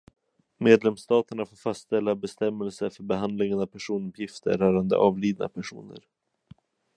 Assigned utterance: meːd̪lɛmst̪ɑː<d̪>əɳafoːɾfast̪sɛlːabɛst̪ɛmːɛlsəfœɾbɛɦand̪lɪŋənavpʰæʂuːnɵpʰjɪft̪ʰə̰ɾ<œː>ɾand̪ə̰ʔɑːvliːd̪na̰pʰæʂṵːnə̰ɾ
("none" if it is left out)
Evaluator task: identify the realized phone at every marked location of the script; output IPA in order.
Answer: t̪, œː

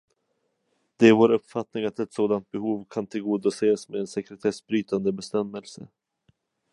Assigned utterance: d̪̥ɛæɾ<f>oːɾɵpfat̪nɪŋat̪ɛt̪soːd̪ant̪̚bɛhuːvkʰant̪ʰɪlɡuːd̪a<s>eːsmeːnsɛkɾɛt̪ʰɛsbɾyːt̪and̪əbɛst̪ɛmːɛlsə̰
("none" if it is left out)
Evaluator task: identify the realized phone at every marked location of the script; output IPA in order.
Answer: v, s

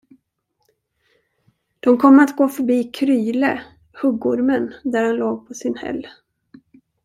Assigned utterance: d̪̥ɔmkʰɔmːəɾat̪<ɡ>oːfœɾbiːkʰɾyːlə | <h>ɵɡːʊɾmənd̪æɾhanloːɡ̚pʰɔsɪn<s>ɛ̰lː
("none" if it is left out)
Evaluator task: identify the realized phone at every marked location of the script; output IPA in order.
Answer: ɡ, h, h

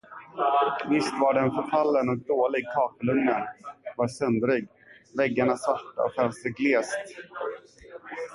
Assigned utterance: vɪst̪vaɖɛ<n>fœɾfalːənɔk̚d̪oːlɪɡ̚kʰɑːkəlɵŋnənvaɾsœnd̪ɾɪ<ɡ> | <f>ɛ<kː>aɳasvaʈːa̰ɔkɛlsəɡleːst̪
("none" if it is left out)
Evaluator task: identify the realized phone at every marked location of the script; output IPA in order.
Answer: n, ɡ, v, ɡː

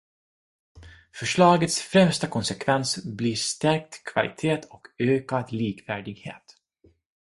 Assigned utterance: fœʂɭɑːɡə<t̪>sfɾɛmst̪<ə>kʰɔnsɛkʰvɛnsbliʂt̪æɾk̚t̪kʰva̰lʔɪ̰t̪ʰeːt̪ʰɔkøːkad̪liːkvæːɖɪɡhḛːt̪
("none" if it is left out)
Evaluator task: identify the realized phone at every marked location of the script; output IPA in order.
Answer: t̪, a

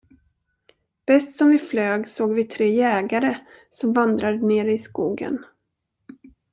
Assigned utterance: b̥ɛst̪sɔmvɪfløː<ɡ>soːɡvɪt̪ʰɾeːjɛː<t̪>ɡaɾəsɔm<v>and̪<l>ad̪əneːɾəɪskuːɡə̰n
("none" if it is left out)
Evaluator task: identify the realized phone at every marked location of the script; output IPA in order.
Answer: ɡ, none, v, ɾ

